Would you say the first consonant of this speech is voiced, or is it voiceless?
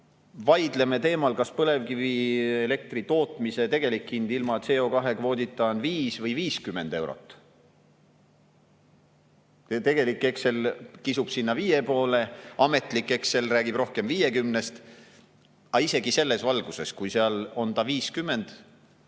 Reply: voiced